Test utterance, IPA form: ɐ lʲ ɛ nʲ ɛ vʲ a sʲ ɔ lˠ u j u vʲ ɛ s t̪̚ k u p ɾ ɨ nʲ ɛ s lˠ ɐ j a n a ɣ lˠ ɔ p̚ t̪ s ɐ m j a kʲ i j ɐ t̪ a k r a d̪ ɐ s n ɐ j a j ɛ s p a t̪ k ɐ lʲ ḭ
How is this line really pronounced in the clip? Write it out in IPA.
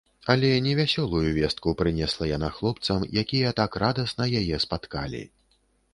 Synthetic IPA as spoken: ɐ lʲ ɛ nʲ ɛ vʲ a sʲ ɔ lˠ u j u vʲ ɛ s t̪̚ k u p ɾ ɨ nʲ ɛ s lˠ ɐ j a n a x lˠ ɔ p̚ t̪ s ɐ m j a kʲ i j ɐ t̪ a k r a d̪ ɐ s n ɐ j a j ɛ s p a t̪ k a lʲ ḭ